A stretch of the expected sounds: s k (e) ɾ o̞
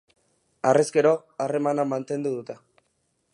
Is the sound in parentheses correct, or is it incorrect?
correct